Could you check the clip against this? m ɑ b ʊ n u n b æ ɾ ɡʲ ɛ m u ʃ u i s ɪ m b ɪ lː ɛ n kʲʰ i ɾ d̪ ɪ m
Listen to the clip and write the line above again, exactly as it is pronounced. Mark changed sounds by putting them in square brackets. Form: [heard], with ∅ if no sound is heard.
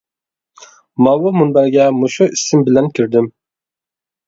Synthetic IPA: m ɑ [w] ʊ [m] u n b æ ɾ ɡʲ ɛ m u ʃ u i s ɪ m b ɪ [l] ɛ n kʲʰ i ɾ d̪ ɪ m